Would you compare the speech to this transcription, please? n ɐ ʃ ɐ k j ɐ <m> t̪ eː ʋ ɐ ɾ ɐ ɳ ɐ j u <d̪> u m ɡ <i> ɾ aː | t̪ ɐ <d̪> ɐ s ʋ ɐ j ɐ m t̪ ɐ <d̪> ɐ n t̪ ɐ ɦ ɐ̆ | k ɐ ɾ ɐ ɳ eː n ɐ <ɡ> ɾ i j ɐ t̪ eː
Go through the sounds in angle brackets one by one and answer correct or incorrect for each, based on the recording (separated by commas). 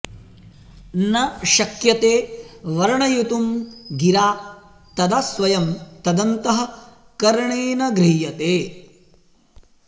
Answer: incorrect, incorrect, correct, correct, correct, correct